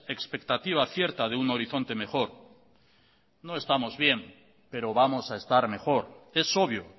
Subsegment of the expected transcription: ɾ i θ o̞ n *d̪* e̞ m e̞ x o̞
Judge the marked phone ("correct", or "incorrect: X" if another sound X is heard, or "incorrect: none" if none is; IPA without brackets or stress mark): incorrect: t̪